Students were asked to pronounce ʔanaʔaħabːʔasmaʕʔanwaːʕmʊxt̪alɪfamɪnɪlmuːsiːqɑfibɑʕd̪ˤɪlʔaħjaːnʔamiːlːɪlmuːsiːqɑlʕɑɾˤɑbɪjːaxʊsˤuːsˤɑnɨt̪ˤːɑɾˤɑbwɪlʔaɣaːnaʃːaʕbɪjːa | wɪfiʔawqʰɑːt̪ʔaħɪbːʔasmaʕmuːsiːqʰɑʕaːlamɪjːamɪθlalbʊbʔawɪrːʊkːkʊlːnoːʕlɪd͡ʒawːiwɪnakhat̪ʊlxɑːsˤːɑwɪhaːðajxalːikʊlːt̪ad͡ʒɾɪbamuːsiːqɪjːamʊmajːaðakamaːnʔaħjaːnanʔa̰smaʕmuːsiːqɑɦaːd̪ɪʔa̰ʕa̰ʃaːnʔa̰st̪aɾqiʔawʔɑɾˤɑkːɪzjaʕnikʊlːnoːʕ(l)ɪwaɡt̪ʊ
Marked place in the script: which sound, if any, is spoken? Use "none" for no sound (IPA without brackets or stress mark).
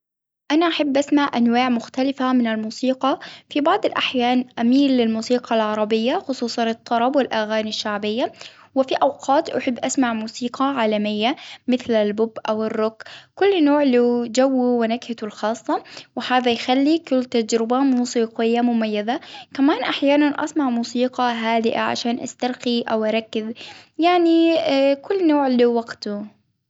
l